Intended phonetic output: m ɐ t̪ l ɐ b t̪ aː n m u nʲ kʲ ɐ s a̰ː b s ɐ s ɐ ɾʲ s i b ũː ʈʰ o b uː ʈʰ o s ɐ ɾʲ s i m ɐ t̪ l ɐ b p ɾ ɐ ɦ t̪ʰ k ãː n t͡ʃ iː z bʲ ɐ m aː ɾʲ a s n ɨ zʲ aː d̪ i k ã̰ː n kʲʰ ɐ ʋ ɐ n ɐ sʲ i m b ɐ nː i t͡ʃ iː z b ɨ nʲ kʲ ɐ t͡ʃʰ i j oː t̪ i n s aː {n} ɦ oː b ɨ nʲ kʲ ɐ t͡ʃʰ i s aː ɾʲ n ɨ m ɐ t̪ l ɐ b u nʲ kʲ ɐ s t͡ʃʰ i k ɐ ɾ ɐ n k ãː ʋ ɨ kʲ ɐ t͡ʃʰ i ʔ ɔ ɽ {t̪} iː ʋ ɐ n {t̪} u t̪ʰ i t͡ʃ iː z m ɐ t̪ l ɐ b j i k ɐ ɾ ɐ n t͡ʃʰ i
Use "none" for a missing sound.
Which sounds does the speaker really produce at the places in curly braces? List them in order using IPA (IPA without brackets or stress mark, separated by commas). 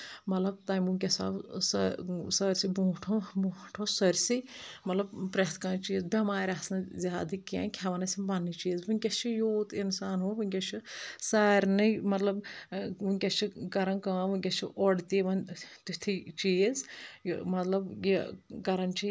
n, t̪, t̪